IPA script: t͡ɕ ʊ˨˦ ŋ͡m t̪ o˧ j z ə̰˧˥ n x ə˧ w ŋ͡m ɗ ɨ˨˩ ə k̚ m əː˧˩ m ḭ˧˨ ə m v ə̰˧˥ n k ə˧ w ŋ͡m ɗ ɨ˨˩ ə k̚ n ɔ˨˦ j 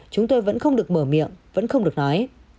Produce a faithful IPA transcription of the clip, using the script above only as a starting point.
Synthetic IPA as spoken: t͡ɕ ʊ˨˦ ŋ͡m t̪ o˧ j v ə̰˧˥ n x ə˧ w ŋ͡m ɗ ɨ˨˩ ə k̚ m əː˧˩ m ḭ˧˨ ə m v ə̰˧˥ n x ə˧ w ŋ͡m ɗ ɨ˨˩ ə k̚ n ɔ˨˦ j